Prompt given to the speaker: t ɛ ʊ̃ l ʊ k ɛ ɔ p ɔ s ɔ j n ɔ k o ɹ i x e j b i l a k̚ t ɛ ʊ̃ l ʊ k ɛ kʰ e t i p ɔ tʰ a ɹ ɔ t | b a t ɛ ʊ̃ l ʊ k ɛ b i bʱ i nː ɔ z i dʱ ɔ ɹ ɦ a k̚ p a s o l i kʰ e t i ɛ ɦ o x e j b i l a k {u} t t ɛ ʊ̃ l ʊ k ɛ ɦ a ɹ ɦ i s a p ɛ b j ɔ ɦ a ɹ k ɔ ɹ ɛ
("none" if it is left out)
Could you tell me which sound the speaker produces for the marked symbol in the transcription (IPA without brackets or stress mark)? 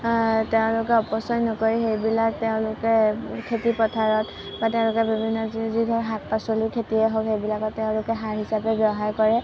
ɔ